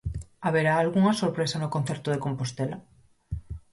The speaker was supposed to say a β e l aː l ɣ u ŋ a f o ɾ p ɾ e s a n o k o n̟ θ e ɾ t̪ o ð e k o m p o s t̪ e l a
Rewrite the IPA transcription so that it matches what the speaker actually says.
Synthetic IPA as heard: a β e ɾ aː l ɣ u ŋ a s o ɾ p ɾ e s a n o k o n̟ θ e ɾ t̪ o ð e k o m p o s t̪ e l a